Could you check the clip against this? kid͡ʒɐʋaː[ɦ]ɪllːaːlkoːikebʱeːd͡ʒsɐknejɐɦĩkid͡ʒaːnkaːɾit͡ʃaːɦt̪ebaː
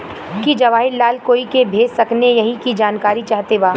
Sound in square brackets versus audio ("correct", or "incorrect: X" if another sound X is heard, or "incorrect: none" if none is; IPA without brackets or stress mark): correct